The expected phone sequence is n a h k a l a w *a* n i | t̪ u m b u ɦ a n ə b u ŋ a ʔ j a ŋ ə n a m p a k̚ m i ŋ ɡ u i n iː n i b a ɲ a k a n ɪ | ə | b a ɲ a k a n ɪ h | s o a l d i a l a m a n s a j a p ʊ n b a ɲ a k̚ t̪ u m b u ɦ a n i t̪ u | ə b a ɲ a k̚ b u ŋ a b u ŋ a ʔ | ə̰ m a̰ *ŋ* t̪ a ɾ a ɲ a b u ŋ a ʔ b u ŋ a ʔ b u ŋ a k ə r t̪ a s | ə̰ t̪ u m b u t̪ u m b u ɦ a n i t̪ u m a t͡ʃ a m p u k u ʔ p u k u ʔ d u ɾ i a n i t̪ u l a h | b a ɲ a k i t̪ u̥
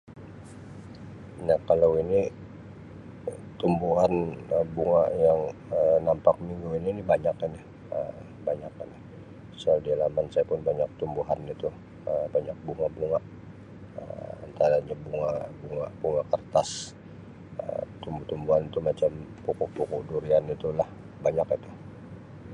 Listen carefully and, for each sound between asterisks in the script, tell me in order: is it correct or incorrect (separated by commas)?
incorrect, incorrect